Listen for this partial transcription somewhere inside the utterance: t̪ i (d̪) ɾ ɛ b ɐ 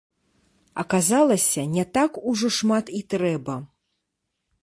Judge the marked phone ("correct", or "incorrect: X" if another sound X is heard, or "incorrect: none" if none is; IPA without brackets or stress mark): incorrect: t̪